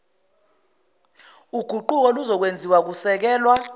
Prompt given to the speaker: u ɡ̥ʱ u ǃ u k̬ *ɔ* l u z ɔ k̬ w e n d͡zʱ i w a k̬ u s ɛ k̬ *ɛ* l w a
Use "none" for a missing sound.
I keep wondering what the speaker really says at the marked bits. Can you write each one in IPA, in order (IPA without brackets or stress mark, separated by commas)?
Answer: ɔ, ɛː